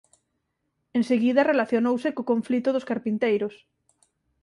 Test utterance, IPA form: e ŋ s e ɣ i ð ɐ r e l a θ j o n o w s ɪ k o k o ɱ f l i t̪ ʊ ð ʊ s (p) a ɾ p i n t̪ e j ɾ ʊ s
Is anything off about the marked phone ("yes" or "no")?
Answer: yes